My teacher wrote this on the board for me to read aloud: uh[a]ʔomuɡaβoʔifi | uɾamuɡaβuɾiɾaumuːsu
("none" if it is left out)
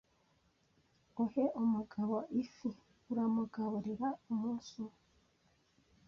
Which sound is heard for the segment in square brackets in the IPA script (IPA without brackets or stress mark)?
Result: e